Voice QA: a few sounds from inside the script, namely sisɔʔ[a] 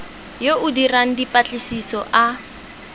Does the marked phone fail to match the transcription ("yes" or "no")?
no